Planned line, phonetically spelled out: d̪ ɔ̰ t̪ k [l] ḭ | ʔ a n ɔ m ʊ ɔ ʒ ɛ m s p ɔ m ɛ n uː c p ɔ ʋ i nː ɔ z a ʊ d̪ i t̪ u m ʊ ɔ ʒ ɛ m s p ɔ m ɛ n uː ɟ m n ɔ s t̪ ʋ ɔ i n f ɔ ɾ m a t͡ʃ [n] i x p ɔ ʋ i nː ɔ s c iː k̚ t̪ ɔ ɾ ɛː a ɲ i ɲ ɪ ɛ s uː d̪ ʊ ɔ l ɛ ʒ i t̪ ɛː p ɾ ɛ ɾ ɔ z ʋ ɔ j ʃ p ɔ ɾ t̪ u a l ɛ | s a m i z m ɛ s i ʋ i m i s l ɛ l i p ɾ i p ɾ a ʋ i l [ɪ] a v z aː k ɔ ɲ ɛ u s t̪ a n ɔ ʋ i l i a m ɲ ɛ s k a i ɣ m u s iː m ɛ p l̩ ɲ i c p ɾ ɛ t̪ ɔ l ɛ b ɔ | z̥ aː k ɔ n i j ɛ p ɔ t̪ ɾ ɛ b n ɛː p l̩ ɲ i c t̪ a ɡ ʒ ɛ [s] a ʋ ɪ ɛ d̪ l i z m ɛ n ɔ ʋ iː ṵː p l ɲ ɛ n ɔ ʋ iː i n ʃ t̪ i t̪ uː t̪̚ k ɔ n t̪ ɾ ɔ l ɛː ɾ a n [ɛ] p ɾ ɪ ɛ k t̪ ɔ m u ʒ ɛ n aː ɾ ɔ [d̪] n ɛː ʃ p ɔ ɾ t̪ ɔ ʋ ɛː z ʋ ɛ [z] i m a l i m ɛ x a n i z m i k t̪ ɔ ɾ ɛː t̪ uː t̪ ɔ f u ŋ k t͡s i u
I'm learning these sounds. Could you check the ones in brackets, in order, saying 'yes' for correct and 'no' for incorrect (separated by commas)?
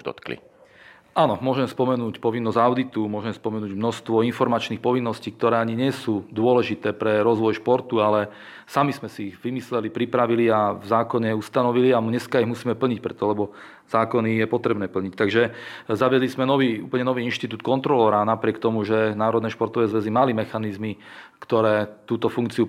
yes, yes, no, no, no, yes, yes